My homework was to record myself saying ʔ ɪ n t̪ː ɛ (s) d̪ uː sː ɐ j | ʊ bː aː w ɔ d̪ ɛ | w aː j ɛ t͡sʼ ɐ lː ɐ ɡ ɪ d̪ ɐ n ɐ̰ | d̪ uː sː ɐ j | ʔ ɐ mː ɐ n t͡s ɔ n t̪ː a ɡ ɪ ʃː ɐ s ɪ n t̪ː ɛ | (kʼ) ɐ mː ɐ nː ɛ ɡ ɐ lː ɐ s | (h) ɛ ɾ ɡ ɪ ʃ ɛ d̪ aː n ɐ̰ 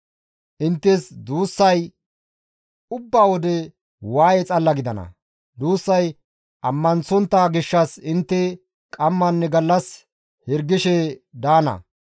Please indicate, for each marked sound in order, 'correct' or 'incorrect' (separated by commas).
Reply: correct, correct, correct